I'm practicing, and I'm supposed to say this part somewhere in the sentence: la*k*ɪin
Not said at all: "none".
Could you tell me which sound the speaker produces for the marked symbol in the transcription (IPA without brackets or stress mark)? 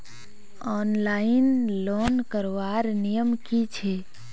none